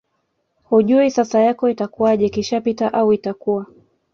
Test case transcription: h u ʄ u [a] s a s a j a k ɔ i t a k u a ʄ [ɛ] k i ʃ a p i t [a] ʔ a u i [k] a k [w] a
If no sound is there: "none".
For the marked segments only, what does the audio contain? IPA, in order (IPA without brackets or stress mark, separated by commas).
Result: i, ɛ, a, t, u